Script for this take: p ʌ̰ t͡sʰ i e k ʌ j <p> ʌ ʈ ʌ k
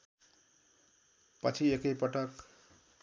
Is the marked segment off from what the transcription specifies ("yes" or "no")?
no